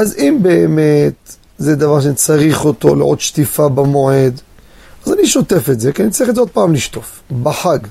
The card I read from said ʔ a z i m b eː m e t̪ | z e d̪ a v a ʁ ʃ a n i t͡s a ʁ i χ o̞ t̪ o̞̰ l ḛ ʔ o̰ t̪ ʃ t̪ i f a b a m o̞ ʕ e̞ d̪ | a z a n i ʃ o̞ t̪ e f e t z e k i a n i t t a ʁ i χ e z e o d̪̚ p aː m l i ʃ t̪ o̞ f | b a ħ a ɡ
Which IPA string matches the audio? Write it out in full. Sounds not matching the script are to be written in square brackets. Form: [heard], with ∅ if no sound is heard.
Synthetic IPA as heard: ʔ a z i m b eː m e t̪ | z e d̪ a v a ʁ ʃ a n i t͡s a ʁ i χ o̞ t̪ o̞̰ l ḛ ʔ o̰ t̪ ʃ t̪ i f a b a m o̞ ʕ e̞ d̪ | a z a n i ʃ o̞ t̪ e f e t z e k i a n i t [t͡s] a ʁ i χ e z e o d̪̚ p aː m l i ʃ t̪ o̞ f | b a ħ a ɡ